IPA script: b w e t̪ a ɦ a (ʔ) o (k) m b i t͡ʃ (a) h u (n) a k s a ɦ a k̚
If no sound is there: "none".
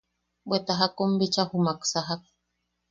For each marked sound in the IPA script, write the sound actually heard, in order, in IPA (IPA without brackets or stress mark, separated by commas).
k, none, a, m